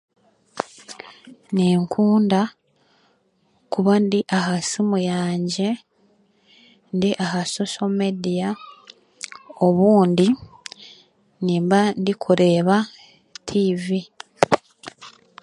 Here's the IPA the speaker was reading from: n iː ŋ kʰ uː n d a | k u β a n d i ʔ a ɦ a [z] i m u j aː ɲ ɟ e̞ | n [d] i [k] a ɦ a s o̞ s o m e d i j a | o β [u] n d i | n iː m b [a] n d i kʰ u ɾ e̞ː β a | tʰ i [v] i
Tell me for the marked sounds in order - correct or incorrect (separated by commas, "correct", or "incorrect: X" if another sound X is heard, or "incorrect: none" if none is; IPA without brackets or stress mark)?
incorrect: s, correct, incorrect: ʔ, incorrect: uː, correct, correct